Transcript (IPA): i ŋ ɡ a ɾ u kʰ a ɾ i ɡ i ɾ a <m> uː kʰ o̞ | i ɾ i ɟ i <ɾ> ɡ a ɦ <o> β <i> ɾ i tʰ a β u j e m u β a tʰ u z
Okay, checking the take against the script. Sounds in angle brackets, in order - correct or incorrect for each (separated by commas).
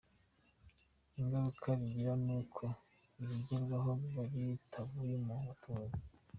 incorrect, correct, correct, incorrect